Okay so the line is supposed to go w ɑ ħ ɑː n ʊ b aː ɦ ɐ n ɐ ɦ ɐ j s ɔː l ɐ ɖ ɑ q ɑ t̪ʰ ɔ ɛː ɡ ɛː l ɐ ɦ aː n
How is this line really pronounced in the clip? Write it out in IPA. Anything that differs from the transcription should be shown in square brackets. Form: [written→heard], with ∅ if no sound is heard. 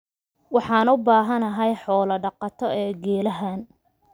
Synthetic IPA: w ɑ ħ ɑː n ʊ b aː ɦ ɐ n ɐ ɦ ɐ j [s→ħ] ɔː l ɐ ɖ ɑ q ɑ t̪ʰ ɔ ɛː ɡ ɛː l ɐ ɦ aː n